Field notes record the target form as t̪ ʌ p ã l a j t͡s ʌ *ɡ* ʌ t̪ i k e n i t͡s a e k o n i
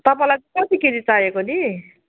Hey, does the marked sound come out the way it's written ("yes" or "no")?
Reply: no